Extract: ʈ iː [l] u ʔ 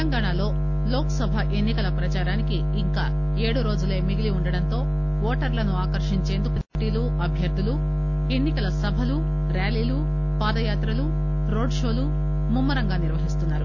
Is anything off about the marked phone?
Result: no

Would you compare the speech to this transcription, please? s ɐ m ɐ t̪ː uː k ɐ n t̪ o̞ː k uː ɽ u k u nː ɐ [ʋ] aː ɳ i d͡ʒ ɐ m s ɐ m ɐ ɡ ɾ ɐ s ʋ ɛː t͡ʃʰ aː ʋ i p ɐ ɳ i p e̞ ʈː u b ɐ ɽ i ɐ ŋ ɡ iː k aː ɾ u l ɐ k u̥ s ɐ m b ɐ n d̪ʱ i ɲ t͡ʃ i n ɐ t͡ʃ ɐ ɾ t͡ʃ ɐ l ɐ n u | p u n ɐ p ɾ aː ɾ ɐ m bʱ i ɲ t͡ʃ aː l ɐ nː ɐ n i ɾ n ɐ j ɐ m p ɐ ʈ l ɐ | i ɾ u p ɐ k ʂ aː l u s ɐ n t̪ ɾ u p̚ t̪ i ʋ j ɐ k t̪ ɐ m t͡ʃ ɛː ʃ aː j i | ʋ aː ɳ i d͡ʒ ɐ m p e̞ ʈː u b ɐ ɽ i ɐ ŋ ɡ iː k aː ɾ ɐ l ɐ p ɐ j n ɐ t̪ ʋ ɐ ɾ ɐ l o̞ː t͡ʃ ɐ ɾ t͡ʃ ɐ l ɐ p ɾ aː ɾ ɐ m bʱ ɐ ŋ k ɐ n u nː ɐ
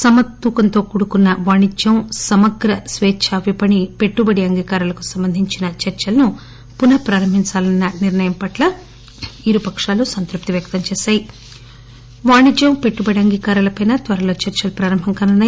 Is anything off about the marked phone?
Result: no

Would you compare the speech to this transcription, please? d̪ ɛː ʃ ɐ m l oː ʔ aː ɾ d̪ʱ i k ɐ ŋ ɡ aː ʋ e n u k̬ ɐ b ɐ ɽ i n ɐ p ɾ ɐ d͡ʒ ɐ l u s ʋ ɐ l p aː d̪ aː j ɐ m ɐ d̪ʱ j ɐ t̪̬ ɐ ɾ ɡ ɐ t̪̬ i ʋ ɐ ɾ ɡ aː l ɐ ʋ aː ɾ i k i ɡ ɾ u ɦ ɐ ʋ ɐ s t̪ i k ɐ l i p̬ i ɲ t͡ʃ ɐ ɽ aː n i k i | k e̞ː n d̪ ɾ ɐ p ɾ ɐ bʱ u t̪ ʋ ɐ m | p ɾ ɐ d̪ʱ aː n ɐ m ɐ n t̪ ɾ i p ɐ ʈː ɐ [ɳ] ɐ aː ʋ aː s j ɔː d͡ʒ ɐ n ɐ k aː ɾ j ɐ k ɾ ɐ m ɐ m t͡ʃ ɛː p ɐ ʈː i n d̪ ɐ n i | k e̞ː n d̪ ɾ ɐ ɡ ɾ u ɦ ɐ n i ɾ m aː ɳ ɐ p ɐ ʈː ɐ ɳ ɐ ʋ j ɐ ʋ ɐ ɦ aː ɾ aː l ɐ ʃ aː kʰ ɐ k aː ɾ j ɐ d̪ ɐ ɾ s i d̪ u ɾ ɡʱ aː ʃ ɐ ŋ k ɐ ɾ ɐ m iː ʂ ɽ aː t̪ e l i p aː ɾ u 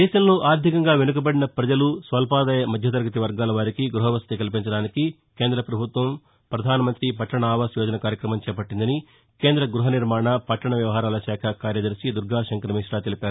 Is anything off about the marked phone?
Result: no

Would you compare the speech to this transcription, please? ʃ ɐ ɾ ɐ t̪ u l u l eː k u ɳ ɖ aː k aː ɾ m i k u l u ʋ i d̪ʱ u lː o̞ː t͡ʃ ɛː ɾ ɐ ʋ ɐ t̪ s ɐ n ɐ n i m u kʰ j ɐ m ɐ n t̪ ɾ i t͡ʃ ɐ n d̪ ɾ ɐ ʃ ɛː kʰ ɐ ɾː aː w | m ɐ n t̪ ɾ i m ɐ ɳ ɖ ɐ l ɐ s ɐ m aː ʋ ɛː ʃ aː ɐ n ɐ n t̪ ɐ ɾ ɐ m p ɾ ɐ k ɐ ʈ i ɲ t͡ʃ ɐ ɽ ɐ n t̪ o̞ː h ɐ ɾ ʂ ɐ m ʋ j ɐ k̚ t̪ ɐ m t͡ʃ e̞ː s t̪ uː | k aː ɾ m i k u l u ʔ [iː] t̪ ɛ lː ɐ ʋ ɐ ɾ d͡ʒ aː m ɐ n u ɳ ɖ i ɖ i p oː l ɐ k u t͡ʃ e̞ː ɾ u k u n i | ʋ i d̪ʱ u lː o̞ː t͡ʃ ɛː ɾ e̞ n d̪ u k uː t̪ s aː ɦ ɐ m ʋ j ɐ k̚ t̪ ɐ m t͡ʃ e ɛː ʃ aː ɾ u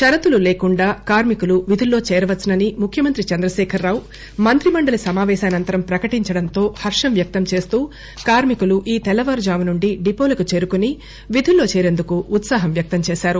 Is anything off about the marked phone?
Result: no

